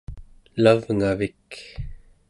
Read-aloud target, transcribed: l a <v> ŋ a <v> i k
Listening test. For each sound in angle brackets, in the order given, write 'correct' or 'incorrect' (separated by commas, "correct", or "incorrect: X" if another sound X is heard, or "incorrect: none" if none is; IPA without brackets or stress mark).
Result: correct, correct